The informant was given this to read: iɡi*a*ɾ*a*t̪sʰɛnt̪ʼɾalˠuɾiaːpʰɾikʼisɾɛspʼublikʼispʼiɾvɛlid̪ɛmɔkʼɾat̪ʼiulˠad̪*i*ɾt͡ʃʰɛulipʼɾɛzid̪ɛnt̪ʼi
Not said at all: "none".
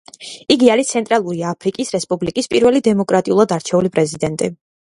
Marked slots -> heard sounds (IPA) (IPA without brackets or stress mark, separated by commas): a, i, a